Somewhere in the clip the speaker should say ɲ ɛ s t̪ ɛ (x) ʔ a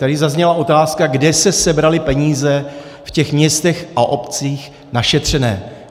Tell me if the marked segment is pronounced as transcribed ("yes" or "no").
yes